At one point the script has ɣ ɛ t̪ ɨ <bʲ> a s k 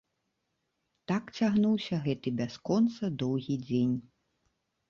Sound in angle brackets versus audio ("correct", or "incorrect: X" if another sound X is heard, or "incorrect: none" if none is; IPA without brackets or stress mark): correct